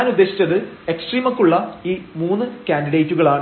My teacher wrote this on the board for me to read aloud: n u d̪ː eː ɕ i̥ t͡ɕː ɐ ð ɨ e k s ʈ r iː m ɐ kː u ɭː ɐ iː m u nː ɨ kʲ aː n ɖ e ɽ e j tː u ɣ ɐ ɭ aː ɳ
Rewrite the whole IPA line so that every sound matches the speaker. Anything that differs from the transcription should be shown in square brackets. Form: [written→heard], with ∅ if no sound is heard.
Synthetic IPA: n u d̪ː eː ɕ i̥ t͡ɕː ɐ ð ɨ e k s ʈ r iː m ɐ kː u ɭː ɐ iː m [u→uː] nː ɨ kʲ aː n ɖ [e→i] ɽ e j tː u ɣ ɐ ɭ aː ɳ